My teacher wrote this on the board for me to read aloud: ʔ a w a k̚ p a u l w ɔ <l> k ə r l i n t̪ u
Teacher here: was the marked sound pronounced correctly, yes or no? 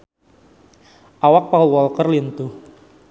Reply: yes